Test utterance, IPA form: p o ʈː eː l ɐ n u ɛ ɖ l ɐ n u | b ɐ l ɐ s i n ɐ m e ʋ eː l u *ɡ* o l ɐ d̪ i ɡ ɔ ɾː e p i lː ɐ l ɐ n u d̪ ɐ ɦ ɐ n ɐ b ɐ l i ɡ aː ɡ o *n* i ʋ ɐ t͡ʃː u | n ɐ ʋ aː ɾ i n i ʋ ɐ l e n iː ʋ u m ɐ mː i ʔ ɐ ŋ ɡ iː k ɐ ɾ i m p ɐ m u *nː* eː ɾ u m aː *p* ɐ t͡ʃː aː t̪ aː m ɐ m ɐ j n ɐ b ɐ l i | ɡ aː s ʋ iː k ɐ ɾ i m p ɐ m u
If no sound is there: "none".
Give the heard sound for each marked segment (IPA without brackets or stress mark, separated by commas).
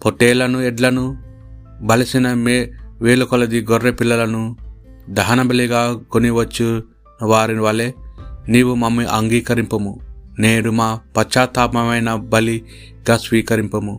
k, n, n, p